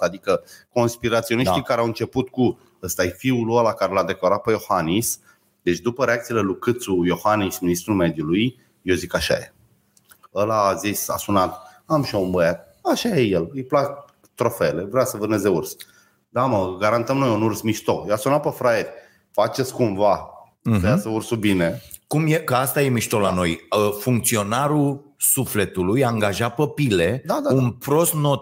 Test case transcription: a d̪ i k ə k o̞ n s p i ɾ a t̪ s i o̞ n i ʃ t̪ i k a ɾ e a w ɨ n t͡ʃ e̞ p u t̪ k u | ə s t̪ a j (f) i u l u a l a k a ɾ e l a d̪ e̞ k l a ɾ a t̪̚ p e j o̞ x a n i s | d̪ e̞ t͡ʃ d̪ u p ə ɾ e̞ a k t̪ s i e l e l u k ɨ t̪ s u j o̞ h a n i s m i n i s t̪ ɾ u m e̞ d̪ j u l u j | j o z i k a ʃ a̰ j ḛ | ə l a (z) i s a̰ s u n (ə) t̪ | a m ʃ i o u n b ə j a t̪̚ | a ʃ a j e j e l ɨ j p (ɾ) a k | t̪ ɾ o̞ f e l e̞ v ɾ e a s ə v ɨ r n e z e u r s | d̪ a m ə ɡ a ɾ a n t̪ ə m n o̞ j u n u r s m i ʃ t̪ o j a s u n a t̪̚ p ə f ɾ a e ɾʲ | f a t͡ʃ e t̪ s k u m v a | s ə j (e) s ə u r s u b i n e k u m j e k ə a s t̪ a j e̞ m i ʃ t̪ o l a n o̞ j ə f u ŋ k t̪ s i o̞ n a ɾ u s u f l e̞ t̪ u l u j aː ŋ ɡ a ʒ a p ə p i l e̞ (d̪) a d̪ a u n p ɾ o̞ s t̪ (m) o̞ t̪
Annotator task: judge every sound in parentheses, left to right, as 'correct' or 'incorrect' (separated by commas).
correct, correct, incorrect, incorrect, incorrect, correct, incorrect